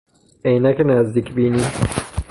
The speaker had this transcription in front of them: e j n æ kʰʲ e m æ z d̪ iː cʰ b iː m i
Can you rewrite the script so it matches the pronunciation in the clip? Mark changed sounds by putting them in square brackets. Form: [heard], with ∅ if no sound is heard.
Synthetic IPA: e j n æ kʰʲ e [n] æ z d̪ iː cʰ b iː [n] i